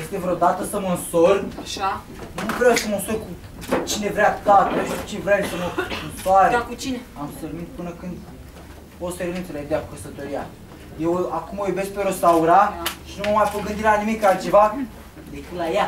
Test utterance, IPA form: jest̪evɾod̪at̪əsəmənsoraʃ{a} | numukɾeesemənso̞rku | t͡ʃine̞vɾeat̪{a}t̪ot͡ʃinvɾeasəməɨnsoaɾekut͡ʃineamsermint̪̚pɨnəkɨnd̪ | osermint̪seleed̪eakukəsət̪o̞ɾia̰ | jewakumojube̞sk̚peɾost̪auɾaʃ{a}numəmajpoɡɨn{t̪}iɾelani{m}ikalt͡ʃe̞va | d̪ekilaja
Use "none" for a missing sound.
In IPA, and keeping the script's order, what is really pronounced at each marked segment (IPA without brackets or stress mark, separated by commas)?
a, a, i, d̪, m